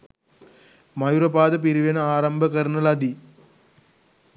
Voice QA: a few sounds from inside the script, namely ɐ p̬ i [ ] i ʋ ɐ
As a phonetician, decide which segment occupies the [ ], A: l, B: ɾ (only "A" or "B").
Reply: B